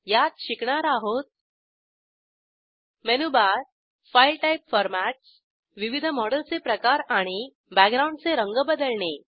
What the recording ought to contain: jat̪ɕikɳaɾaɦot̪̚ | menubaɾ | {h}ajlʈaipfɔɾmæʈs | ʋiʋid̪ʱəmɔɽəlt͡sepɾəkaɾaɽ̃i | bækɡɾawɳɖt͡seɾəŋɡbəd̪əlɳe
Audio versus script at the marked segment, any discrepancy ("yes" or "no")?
yes